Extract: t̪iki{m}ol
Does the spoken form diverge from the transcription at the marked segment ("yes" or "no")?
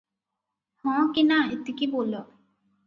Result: yes